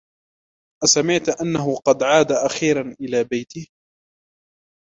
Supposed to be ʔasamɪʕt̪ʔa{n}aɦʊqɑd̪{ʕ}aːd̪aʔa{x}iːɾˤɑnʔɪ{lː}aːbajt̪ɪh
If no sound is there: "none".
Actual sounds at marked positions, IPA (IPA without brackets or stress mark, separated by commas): nː, ʕ, x, l